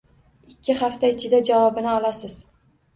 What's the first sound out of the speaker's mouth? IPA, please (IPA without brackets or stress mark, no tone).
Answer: ɪ